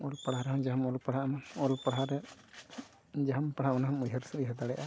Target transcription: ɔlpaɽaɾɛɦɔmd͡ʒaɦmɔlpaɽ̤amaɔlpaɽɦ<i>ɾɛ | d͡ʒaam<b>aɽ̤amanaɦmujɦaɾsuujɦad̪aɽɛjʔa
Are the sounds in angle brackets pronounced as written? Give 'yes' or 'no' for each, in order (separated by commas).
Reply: no, no